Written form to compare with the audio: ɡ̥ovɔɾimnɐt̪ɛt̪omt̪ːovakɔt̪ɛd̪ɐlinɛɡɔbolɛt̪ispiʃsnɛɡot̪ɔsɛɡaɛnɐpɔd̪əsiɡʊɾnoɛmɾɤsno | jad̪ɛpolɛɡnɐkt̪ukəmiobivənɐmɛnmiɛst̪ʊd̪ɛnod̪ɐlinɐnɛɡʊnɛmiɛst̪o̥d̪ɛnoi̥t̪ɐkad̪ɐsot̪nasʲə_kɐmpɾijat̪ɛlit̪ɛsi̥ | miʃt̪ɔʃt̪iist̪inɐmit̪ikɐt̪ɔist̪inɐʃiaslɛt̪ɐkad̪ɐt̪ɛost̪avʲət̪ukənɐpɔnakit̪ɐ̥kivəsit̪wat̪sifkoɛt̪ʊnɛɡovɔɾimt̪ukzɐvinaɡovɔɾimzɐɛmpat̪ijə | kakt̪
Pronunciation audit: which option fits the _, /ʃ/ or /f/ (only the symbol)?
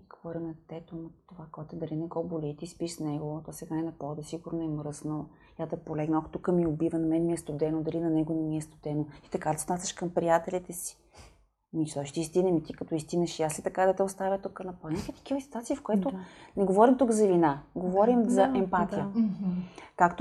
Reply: ʃ